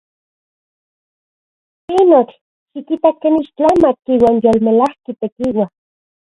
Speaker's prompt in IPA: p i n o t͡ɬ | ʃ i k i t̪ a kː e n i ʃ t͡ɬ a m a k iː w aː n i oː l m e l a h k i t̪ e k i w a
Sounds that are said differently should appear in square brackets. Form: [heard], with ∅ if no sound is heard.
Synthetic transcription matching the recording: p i n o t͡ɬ | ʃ i k i t̪ a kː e n i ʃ t͡ɬ a m a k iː w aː n [j] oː l m e l a h k i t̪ e k i w a